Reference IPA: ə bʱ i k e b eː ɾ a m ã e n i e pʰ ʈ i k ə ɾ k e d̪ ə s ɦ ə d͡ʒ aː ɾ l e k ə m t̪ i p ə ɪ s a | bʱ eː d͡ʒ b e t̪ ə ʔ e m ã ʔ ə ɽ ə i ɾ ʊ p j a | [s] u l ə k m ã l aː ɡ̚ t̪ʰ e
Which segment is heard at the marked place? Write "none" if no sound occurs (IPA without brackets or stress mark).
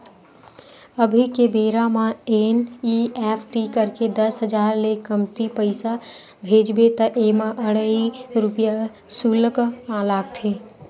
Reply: s